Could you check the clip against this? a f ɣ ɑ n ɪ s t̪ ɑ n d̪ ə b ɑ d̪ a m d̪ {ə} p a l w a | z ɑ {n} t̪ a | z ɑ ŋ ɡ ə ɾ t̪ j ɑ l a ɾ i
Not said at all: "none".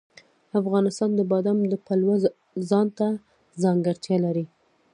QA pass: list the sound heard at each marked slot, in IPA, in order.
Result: ə, n

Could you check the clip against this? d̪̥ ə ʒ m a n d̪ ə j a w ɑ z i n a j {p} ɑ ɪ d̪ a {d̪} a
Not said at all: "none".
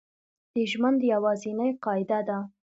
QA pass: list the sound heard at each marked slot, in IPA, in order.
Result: q, d̪

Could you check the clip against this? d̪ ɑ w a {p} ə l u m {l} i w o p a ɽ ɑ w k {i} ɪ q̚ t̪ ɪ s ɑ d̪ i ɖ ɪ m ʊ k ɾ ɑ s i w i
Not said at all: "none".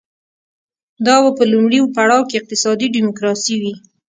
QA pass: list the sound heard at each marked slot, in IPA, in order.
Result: p, ɽ, e

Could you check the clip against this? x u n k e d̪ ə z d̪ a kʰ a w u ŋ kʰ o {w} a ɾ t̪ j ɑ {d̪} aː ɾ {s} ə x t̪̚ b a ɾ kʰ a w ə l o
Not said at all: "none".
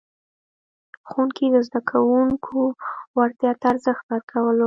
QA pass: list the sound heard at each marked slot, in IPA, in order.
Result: w, t̪, z

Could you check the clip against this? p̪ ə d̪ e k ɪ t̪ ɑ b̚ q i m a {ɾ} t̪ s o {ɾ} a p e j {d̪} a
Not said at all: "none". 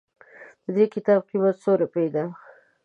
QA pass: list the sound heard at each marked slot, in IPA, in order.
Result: none, ɾ, d̪

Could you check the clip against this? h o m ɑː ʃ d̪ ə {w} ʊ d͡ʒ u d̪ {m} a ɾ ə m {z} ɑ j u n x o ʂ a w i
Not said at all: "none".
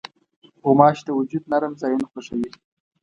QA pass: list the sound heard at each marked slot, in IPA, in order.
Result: w, n, z

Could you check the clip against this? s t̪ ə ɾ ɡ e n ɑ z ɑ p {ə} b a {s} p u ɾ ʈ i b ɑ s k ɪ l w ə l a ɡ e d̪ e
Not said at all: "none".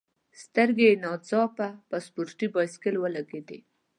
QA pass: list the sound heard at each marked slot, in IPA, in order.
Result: a, s

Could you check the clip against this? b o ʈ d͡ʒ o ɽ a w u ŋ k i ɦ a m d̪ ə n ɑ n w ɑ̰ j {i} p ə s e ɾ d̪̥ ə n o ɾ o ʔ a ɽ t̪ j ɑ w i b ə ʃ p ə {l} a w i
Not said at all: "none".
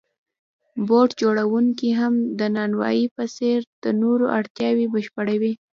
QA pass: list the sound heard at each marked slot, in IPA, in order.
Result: i, ɽ

